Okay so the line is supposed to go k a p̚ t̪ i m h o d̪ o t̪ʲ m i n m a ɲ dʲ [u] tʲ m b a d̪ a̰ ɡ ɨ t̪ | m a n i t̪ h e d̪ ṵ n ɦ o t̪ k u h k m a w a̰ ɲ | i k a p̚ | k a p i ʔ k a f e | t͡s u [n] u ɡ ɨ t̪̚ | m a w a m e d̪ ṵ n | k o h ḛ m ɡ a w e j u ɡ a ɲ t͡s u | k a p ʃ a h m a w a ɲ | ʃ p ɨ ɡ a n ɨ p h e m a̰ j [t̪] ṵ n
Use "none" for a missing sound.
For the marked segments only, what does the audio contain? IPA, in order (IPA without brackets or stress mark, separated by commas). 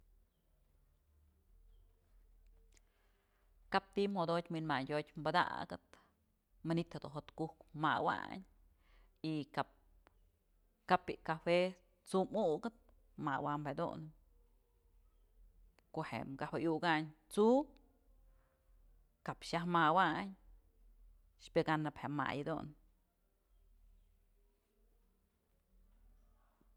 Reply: o, m, d̪